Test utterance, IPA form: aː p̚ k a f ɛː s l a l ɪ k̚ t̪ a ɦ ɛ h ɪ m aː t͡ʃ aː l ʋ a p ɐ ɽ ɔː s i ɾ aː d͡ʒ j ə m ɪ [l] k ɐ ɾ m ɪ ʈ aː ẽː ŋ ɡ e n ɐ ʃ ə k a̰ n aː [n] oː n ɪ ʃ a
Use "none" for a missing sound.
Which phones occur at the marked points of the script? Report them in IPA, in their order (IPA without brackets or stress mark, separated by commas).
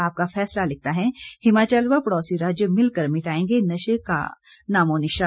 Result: l, m